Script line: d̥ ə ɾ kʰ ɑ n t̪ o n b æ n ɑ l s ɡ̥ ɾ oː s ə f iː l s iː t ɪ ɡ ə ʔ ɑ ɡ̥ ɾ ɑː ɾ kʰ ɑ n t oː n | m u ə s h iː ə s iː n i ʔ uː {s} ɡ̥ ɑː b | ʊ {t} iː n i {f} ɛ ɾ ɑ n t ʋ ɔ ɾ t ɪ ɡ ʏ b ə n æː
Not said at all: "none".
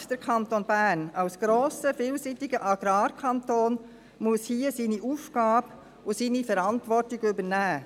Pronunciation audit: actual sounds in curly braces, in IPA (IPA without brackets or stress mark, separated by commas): f, s, f